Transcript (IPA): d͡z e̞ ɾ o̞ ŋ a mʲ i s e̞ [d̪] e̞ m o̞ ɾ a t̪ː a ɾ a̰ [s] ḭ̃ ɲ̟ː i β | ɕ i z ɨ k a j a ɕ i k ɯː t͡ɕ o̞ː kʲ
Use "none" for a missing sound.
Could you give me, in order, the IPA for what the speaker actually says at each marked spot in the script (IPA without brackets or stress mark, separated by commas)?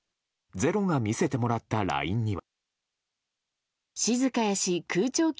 t̪, none